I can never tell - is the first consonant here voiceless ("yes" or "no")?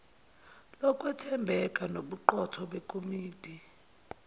no